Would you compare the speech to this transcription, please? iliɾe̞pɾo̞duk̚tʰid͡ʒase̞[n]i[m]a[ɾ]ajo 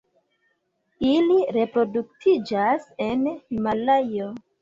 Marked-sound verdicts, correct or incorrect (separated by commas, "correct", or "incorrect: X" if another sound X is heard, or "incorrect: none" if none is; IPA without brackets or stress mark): correct, correct, incorrect: l